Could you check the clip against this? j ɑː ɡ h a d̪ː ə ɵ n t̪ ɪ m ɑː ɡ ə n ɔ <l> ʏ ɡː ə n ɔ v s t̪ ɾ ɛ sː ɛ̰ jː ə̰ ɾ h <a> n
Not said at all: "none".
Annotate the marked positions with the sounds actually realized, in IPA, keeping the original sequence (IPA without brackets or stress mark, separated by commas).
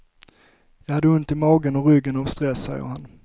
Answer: ɾ, a